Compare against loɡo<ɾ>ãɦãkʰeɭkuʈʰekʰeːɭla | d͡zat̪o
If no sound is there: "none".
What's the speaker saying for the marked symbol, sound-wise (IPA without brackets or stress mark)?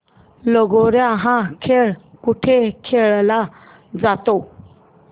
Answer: ɾ